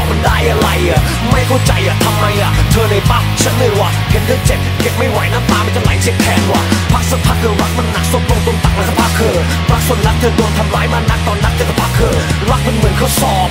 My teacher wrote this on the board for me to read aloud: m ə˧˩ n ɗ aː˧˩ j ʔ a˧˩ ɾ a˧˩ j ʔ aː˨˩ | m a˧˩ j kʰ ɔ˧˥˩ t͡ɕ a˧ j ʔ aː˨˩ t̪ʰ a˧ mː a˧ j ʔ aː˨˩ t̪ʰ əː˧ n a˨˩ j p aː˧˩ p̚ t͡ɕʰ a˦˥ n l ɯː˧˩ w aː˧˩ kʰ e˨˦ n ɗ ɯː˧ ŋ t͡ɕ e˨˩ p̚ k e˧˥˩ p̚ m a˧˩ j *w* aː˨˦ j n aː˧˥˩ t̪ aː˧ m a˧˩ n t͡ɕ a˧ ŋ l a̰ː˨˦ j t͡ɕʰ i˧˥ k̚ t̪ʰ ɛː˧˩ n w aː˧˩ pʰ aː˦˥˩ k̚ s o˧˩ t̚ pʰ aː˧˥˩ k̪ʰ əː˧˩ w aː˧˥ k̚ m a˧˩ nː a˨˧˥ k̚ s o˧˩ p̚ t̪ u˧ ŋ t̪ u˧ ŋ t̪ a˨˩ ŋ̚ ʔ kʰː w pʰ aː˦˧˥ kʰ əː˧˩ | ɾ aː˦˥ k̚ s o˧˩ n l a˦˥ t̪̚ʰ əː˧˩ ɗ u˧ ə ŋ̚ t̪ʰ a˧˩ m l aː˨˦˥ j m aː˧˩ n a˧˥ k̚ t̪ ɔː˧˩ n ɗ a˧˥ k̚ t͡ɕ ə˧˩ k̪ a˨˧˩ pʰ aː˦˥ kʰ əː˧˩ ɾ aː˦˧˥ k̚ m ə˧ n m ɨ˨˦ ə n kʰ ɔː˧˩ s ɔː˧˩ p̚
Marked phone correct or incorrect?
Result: correct